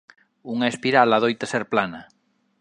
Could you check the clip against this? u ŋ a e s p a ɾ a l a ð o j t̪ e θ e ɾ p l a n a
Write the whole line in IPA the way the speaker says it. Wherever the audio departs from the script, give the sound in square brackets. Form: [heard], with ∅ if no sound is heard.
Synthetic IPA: u ŋ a e s p [i] ɾ a l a ð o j t̪ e [s] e ɾ p l a n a